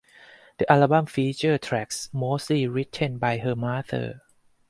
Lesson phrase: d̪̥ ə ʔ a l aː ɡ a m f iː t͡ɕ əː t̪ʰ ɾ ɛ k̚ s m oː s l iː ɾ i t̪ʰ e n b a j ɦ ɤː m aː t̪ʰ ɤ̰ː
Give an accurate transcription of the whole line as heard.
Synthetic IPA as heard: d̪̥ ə ʔ a l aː b a m f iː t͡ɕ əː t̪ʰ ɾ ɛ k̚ s m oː s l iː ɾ i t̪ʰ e n b a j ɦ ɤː m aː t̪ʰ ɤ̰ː